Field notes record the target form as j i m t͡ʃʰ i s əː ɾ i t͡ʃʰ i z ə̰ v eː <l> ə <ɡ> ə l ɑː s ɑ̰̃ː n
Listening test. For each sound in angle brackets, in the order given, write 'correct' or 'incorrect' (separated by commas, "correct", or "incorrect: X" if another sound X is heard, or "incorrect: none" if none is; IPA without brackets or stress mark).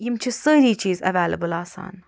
correct, incorrect: b